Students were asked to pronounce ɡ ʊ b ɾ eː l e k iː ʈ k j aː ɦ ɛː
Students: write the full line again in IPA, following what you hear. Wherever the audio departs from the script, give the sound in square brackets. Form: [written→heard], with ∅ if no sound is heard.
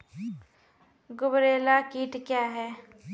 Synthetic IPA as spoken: ɡ ʊ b ɾ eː l [e→a] k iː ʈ k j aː ɦ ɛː